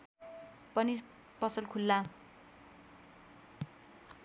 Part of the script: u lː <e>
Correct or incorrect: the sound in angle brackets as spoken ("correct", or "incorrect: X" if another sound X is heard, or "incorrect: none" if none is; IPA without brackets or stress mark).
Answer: incorrect: a